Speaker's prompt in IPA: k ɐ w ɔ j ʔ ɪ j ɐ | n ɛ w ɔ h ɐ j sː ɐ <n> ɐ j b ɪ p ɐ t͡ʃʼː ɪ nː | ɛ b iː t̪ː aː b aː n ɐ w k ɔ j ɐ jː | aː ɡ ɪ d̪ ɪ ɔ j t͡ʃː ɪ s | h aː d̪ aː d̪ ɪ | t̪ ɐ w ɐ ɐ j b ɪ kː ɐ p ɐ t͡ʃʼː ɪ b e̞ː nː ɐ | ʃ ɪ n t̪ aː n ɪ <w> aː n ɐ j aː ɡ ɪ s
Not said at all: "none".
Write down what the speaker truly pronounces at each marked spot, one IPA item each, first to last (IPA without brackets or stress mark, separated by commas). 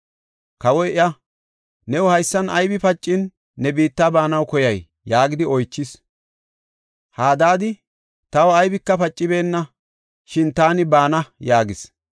n, b